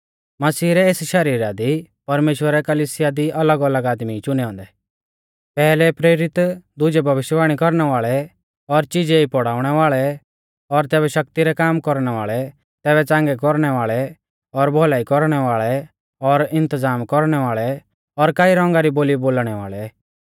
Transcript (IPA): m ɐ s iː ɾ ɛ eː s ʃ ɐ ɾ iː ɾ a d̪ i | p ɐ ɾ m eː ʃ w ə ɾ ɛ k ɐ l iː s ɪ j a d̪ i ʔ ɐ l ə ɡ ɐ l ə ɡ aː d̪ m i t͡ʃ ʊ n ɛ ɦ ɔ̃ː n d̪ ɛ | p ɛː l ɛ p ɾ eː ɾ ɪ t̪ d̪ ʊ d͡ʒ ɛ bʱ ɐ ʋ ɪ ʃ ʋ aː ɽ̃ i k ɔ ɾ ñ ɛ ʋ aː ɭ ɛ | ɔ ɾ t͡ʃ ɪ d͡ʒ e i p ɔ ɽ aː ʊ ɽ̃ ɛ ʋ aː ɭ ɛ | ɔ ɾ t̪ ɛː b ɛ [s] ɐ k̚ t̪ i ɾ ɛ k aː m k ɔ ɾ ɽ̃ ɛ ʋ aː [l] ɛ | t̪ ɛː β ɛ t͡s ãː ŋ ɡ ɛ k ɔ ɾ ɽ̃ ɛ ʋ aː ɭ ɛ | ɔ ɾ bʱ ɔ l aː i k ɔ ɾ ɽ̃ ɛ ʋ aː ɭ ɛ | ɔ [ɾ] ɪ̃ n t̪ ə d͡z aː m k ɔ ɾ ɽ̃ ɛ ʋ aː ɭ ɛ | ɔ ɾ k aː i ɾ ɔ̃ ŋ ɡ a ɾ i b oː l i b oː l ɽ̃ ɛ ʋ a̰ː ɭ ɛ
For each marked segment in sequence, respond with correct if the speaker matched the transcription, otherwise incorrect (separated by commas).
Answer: incorrect, incorrect, correct